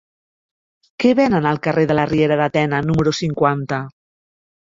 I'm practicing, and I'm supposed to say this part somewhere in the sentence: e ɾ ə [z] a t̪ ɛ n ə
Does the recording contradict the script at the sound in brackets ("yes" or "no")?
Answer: yes